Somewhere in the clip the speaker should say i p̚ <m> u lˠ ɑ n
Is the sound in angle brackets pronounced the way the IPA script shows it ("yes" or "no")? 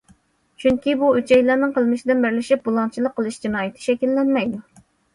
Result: no